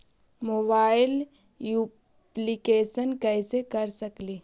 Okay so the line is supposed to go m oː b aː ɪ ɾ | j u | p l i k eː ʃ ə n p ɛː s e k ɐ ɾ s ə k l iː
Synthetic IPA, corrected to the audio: m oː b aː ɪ l | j u | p l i k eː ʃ ə n k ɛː s e k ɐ ɾ s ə k l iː

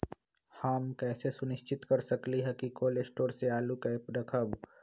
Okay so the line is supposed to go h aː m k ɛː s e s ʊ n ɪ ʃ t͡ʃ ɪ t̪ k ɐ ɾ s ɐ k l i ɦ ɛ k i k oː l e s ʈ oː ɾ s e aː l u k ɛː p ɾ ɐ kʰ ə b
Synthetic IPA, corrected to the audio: h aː m k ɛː s e s ʊ n ɪ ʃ t͡ʃ ɪ t̪ k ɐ ɾ s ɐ k l i ɦ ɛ k i k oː l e s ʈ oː ɾ s e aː l u k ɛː p ɾ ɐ kʰ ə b

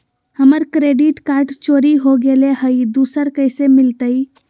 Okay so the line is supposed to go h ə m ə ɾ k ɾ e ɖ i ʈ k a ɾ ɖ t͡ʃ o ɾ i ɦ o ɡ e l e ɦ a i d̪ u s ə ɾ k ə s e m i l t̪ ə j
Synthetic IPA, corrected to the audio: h ə m ə ɾ k ɾ e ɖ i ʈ k a ɾ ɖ t͡ʃ o ɾ i ɦ o ɡ e l e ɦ ə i d̪ u s ə ɾ k ə s e m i l t̪ ə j

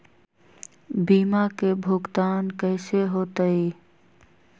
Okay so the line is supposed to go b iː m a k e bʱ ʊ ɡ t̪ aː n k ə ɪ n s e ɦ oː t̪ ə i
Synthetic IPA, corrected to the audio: b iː m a k e bʱ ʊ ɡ t̪ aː n k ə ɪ s e ɦ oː t̪ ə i

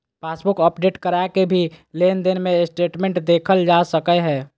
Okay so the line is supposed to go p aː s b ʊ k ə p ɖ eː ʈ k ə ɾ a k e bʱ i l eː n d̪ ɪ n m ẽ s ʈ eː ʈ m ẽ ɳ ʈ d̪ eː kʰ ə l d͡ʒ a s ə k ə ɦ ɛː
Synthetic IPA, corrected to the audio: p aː s b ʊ k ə p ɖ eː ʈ k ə ɾ a k e bʱ i l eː n d̪ ɪ n m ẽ s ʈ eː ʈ m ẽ ɳ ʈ d̪ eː kʰ ə l d͡ʒ a s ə k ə ɦ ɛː

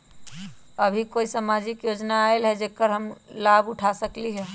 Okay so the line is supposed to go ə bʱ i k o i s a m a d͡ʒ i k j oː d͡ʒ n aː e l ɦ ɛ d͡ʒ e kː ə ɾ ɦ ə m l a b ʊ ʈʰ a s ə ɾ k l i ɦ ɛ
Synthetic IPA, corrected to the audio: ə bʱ i k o i s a m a d͡ʒ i k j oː d͡ʒ n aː e l ɦ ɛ d͡ʒ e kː ə ɾ ɦ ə m l a b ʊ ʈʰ a s ə k l i ɦ ɛ

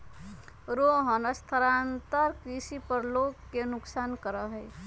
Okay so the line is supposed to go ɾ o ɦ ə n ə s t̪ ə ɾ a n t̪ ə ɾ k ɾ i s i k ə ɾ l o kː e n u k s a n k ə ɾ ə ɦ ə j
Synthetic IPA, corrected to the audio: ɾ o ɦ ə n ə s t̪ʰ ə ɾ a n t̪ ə ɾ k ɾ i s i p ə ɾ l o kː e n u k s a n k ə ɾ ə ɦ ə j

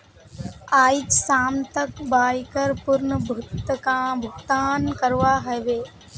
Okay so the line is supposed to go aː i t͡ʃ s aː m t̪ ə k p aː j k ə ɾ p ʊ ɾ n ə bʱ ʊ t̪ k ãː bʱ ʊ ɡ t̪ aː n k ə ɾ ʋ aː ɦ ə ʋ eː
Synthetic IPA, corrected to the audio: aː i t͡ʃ s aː m t̪ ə k b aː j k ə ɾ p ʊ ɾ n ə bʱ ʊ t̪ k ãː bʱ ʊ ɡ t̪ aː n k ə ɾ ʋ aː ɦ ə ʋ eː

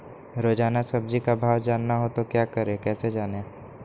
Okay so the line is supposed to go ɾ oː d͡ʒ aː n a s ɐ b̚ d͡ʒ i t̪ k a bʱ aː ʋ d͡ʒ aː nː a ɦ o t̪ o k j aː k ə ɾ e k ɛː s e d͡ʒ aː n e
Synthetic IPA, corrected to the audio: ɾ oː d͡ʒ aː n a s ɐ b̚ d͡ʒ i k a bʱ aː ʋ d͡ʒ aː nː a ɦ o t̪ o k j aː k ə ɾ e k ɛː s e d͡ʒ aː n e

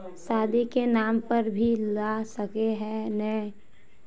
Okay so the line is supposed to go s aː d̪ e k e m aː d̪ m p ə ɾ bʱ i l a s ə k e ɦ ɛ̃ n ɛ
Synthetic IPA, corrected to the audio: s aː d̪ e k e n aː m p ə ɾ bʱ i l a s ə k e ɦ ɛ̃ n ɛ

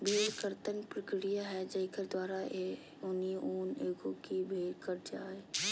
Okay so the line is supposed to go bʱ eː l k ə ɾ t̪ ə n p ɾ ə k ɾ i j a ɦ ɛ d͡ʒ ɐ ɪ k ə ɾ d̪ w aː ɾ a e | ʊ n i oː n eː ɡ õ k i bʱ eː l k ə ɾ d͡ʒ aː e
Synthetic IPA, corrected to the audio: bʱ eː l k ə ɾ t̪ ə n p ɾ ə k ɾ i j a ɦ ɛ d͡ʒ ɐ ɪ k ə ɾ d̪ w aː ɾ a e | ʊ n i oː n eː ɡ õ k i bʱ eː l k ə ɾ d͡ʒ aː e

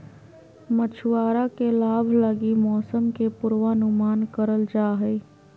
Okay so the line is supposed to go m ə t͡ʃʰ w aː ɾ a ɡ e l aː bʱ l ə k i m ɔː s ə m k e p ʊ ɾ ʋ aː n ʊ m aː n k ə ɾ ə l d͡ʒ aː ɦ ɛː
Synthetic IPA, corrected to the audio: m ə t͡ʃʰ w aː ɾ a k e l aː bʱ l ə ɡ i m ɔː s ə m k e p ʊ ɾ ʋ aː n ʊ m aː n k ə ɾ ə l d͡ʒ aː ɦ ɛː

